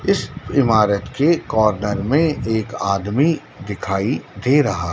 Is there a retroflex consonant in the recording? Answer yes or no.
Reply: no